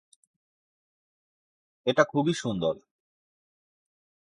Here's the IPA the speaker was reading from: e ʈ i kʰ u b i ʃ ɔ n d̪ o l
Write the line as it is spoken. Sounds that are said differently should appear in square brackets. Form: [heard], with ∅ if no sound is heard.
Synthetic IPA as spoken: e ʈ [a] kʰ u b i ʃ [u] n d̪ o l